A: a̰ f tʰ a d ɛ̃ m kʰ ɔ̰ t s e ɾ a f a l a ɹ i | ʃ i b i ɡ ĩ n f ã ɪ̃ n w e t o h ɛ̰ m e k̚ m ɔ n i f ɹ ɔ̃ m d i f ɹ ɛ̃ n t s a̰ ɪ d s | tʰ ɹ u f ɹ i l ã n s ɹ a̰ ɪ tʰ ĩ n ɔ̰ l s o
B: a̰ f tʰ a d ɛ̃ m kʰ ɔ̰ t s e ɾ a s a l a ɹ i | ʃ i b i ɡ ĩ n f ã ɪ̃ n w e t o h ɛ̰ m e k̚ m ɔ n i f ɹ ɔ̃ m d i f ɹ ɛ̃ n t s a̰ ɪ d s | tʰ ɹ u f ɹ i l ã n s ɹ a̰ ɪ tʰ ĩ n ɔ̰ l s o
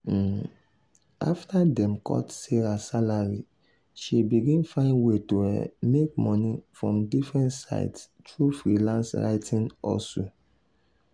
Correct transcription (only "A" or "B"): B